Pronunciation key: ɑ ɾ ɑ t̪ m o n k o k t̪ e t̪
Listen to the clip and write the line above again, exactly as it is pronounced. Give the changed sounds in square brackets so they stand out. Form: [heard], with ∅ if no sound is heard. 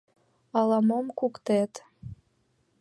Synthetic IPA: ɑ [l] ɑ [∅] m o [m] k [u] k t̪ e t̪

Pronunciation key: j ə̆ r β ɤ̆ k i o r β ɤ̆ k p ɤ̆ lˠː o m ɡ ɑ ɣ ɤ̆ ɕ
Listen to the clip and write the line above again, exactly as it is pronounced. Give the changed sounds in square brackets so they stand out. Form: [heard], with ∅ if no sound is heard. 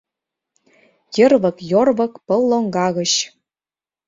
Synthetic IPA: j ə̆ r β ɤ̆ k [j] o r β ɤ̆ k p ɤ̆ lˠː o [ŋ] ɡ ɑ ɣ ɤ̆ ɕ

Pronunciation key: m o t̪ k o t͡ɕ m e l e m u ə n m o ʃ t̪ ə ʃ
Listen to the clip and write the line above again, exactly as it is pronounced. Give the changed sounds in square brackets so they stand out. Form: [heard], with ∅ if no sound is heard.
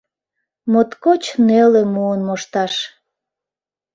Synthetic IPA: m o t̪ k o t͡ɕ [n] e l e m u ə n m o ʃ t̪ [ɑ] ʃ

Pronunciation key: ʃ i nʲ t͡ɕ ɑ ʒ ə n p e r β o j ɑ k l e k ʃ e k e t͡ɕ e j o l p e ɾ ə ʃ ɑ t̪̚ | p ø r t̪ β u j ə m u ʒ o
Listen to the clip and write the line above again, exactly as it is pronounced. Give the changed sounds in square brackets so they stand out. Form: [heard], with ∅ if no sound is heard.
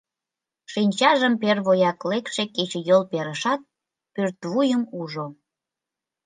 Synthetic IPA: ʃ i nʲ t͡ɕ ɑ ʒ ə [m] p e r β o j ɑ k l e k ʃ e k e t͡ɕ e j o l p e ɾ ə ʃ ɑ t̪̚ | p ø r t̪ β u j ə m u ʒ o

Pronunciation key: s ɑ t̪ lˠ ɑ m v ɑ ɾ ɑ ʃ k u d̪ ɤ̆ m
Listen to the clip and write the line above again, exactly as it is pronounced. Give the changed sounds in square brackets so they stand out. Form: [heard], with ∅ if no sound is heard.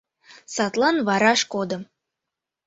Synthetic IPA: s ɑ t̪ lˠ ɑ [n] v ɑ ɾ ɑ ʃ k [o] d̪ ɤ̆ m

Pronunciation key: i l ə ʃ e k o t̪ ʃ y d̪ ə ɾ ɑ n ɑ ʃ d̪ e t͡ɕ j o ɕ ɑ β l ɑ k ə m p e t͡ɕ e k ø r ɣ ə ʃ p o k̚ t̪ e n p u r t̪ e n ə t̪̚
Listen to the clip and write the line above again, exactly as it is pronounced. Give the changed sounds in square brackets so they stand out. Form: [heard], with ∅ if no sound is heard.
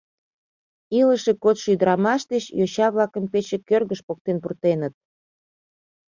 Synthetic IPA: i l ə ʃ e k o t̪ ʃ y d̪ ə ɾ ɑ [m] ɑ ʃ d̪ e t͡ɕ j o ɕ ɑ β l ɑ k ə m p e t͡ɕ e k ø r ɣ ə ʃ p o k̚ t̪ e n p u r t̪ e n ə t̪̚

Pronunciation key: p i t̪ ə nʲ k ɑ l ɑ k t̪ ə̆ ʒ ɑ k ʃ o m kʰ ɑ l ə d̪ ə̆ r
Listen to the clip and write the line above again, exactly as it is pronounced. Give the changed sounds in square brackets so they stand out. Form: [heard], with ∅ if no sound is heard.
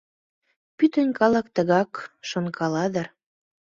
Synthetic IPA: p [y] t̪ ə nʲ k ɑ l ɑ k t̪ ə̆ [ɣ] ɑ k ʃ o [n] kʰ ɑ l [ɑ] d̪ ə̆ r

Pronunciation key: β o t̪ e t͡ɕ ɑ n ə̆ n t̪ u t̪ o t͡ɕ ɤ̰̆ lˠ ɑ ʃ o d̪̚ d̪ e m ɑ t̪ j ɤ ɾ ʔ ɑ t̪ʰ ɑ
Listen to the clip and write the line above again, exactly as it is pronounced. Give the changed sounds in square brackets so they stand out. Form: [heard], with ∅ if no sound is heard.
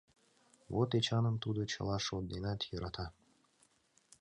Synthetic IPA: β o t̪ e t͡ɕ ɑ n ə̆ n t̪ u [d̪] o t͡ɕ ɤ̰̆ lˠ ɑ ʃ o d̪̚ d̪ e [n] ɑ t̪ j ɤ ɾ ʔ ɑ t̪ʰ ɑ

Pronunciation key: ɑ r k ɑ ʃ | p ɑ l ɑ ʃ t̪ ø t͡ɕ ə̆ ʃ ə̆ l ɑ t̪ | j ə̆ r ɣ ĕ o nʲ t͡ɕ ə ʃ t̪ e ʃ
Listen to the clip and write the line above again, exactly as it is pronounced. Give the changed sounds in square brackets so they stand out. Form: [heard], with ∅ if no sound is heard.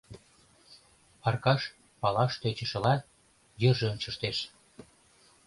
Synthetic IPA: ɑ r k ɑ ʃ | p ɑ l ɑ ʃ t̪ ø t͡ɕ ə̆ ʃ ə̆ l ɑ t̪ | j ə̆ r [ʒ] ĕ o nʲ t͡ɕ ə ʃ t̪ e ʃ

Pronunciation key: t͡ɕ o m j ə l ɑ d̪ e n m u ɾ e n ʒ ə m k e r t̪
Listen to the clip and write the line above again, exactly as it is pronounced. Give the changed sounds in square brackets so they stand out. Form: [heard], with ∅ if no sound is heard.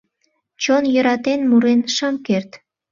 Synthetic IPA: t͡ɕ o [n] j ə [ɾ] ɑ [t̪] e n m u ɾ e n [ʃ] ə m k e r t̪

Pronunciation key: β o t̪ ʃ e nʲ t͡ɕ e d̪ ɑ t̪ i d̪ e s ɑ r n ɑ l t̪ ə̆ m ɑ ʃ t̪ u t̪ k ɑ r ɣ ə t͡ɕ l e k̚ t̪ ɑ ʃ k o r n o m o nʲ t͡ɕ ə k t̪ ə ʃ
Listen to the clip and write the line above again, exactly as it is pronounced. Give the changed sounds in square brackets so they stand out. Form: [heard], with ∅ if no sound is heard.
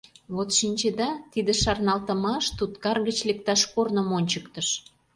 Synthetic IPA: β o t̪ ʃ [i] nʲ t͡ɕ e d̪ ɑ t̪ i d̪ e [ʃ] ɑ r n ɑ l t̪ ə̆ m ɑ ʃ t̪ u t̪ k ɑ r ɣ ə t͡ɕ l e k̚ t̪ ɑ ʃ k o r n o m o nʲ t͡ɕ ə k t̪ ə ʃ

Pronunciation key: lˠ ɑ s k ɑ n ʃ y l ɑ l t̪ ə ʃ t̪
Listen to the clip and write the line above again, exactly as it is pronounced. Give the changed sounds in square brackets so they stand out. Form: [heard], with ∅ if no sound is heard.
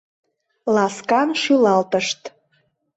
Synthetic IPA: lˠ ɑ s k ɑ n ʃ y l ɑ l t̪ ə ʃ t̪

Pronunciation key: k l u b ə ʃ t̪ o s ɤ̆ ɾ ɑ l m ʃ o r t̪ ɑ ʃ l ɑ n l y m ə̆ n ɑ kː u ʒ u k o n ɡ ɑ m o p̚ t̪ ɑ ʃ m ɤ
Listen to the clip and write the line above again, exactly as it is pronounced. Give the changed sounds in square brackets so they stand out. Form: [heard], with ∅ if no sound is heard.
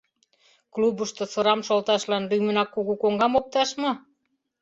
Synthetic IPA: k l u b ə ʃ t̪ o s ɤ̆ ɾ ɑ [∅] m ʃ o [l] t̪ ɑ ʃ l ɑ n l y m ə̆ n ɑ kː u [ɣ] u k o [ŋ] ɡ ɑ m o p̚ t̪ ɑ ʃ m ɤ

